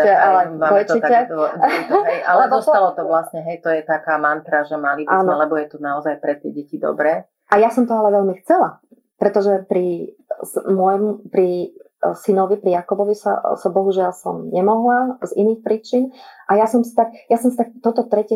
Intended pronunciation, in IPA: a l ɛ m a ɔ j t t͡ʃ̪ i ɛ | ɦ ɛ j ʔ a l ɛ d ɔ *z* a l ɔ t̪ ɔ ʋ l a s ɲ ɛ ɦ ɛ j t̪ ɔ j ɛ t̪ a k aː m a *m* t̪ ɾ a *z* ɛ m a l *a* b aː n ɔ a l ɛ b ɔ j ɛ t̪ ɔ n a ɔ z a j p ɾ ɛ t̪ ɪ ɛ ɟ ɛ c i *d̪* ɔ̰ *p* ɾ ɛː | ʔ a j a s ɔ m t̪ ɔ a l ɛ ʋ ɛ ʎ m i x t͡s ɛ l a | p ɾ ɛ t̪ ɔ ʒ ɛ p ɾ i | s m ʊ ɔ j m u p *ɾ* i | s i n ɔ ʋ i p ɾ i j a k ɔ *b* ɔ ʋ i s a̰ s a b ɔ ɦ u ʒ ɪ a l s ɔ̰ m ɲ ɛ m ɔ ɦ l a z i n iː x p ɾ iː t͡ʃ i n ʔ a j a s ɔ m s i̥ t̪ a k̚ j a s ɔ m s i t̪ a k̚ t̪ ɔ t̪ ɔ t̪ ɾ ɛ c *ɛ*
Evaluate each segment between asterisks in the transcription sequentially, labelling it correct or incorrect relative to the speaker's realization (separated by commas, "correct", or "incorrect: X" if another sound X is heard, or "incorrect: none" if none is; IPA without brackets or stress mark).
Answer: incorrect: s, incorrect: n, incorrect: ʒ, incorrect: i, correct, incorrect: b, correct, correct, correct